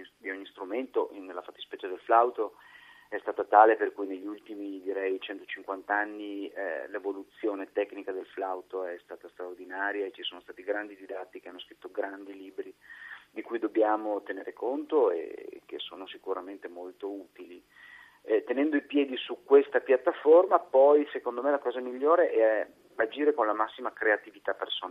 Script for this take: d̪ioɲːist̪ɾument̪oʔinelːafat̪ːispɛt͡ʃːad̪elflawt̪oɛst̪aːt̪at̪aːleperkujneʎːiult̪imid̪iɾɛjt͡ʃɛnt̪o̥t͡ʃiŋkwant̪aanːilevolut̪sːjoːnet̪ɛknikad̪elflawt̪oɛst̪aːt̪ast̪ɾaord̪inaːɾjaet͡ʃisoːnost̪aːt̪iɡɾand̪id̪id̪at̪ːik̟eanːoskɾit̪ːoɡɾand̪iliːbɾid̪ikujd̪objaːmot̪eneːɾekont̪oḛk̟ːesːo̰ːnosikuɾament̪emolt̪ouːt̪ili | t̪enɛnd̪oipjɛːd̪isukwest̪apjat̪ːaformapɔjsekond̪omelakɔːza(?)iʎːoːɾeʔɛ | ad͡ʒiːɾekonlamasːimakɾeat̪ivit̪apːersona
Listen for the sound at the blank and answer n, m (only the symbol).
m